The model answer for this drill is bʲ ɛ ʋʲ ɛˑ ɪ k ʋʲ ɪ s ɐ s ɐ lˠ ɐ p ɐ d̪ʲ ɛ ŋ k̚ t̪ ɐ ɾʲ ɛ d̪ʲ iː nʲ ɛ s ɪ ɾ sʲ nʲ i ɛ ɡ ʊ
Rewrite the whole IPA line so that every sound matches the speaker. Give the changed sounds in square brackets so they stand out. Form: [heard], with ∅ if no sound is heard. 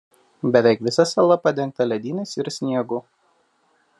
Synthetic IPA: bʲ ɛ ʋʲ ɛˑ ɪ k ʋʲ ɪ s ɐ s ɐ lˠ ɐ p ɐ d̪ʲ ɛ ŋ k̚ t̪ ɐ [lʲ] ɛ d̪ʲ iː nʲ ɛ s ɪ ɾ sʲ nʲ i ɛ ɡ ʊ